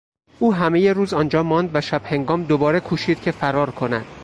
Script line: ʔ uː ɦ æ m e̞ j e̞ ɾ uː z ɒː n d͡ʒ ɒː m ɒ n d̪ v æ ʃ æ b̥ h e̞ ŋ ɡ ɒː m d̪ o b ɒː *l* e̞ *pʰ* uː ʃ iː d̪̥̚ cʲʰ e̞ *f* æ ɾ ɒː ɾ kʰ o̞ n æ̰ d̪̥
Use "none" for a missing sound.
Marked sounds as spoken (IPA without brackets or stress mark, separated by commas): ɾ, kʰ, f